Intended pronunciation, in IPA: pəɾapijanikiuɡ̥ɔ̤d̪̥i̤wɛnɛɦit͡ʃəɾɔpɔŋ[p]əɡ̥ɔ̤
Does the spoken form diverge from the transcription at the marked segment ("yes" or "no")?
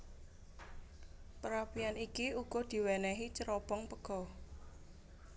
no